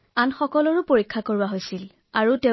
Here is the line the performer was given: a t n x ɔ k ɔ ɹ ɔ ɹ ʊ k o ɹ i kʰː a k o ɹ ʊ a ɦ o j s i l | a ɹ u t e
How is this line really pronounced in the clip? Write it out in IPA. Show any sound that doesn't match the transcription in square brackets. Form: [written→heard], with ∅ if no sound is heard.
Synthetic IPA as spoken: a [t→∅] n x ɔ k ɔ [ɹ→l] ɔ ɹ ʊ [k→p] o ɹ i kʰː a k o ɹ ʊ a ɦ o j s i l | a ɹ u t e